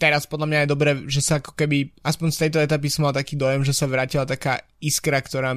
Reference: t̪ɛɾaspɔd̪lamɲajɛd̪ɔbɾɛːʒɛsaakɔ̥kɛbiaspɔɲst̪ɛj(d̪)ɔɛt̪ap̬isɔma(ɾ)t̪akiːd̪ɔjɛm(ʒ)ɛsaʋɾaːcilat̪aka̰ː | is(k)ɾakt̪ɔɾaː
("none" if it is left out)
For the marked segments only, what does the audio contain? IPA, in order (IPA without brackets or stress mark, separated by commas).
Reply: t̪, l, ʒ, k